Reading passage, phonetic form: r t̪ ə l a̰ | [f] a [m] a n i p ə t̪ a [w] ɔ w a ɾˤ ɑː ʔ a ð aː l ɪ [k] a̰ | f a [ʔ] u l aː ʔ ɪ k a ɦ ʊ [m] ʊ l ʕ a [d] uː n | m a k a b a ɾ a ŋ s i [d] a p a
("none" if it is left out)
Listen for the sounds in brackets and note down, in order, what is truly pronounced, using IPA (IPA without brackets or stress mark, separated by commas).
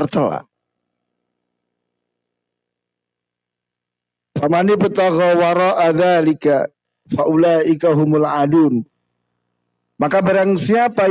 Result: f, m, ɣ, k, ʔ, m, d, none